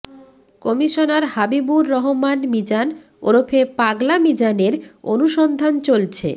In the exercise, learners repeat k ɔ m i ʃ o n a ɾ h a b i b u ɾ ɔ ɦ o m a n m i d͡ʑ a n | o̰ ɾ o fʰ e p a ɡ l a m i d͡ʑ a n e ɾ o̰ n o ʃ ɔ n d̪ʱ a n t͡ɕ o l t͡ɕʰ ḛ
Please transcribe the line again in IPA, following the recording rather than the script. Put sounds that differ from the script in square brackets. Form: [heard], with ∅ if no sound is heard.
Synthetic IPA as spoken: k ɔ m i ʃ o n a ɾ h a b i b u [ɾː] ɔ ɦ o m a n m i d͡ʑ a n | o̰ ɾ o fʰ e p a ɡ l a m i d͡ʑ a n e ɾ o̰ n [u] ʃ ɔ n d̪ʱ a n t͡ɕ o l t͡ɕʰ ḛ